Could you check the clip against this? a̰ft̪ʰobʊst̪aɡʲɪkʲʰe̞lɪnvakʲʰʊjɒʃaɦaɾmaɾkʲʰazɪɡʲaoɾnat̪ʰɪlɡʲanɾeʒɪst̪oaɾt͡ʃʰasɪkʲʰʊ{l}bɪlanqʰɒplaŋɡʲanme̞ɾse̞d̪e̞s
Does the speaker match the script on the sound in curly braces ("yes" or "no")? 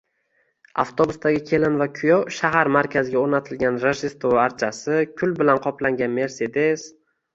yes